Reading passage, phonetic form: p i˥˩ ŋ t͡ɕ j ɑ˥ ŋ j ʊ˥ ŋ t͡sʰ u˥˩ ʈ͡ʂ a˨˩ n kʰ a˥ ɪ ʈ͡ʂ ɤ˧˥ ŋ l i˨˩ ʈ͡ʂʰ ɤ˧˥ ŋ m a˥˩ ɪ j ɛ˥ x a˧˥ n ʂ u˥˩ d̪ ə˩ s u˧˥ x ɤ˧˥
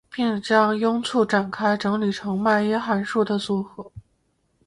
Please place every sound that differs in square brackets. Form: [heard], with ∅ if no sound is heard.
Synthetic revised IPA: p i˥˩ ŋ t͡ɕ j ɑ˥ ŋ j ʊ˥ ŋ t͡sʰ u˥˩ ʈ͡ʂ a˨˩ n kʰ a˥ ɪ ʈ͡ʂ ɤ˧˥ ŋ l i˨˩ ʈ͡ʂʰ ɤ˧˥ ŋ m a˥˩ ɪ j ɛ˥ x a˧˥ n ʂ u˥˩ d̪ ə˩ s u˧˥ x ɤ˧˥